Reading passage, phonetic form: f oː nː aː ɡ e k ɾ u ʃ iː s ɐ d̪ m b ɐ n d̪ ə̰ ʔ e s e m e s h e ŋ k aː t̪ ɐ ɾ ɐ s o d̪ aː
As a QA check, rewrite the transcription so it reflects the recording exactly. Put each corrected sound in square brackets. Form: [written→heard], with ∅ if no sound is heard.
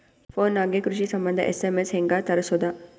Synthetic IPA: f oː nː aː ɡ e k ɾ u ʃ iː s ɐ [d̪→∅] m b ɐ n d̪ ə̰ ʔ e s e m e s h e ŋ [k→ɡ] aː t̪ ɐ ɾ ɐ s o d̪ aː